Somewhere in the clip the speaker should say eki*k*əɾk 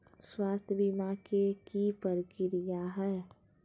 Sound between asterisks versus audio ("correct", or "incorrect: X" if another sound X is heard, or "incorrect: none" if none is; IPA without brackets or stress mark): incorrect: p